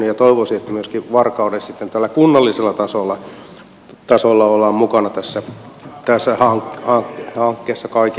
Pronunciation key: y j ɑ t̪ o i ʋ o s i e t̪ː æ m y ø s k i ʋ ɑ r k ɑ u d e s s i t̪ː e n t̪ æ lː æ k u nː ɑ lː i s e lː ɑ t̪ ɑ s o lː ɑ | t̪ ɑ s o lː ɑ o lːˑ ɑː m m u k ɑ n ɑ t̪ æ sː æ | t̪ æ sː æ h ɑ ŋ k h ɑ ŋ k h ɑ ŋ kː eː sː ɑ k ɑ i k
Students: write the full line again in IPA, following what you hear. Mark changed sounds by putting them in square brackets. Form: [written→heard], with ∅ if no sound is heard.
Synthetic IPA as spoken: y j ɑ t̪ o i ʋ o s i e t̪ː æ m y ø s k i ʋ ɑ r k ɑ u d e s s i t̪ː e n t̪ æ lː æ k u nː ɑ lː i s e lː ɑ t̪ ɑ s o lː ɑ | t̪ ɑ s o lː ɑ o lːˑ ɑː m m u k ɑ n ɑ t̪ æ sː æ | t̪ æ sː æ h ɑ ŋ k h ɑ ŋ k h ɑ ŋ kː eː sː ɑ k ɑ i k